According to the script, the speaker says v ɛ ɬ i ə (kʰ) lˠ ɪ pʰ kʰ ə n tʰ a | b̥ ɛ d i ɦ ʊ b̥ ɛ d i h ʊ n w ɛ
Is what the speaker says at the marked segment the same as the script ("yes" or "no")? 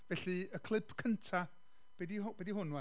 yes